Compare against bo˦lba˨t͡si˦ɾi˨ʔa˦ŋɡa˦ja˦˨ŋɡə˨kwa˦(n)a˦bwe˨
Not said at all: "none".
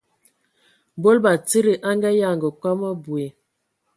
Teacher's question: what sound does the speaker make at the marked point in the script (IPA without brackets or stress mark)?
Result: m